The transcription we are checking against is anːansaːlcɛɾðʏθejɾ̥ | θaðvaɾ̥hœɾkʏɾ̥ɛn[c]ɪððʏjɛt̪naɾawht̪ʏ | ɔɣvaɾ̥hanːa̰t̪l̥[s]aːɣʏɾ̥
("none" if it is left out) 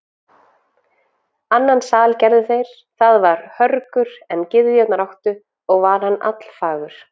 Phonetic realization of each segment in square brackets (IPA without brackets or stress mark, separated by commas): c, f